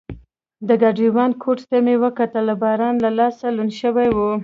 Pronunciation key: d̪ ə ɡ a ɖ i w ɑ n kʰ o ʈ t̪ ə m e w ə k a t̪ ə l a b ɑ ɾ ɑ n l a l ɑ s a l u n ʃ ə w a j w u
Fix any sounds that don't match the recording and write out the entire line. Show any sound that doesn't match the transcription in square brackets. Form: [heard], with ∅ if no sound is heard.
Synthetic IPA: d̪ ə ɡ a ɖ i w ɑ n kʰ o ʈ t̪ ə m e w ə k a t̪ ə l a b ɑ ɾ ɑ n l a l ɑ s a l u n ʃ ə w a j w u